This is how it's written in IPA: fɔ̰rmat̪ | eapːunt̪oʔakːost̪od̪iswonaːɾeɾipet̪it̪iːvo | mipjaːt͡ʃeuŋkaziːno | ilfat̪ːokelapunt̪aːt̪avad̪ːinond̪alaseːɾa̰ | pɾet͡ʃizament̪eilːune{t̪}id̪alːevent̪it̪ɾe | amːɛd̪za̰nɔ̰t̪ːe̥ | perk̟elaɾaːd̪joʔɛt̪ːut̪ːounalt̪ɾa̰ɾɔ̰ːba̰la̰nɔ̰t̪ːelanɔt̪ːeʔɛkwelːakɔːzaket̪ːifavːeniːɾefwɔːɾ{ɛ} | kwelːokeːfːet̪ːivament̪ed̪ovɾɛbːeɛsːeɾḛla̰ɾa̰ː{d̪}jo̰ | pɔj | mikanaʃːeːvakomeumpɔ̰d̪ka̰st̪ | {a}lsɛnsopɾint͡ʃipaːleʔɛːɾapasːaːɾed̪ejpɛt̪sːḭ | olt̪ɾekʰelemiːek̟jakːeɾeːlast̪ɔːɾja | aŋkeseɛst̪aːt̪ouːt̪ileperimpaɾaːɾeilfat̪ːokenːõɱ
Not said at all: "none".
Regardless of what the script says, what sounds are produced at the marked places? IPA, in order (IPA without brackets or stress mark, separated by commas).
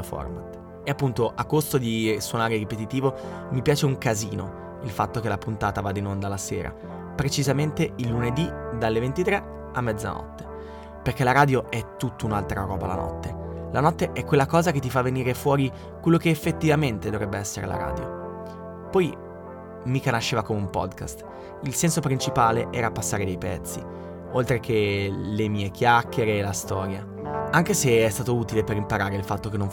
d̪, i, d̪, i